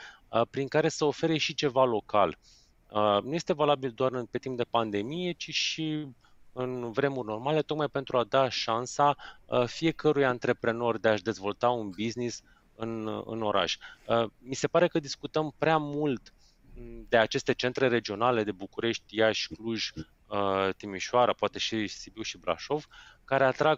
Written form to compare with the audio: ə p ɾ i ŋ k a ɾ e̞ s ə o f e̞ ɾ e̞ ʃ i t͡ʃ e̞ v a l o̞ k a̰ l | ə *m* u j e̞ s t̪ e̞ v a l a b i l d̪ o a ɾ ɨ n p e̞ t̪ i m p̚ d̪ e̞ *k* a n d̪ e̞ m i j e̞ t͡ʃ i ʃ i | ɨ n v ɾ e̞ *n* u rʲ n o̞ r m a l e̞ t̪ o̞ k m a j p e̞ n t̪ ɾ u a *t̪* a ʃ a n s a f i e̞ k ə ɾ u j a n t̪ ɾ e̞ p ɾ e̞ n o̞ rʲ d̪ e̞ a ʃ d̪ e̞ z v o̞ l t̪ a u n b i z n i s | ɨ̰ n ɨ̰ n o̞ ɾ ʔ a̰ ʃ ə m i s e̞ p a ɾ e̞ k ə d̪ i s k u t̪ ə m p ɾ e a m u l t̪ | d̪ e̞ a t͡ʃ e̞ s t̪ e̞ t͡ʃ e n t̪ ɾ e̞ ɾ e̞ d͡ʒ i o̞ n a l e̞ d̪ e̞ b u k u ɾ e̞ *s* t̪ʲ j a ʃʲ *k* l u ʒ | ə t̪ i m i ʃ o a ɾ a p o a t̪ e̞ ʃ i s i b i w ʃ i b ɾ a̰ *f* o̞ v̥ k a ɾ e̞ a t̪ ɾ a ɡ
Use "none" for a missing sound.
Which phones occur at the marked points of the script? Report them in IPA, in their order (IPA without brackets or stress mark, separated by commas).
n, p, m, d̪, ʃ, k, ʃ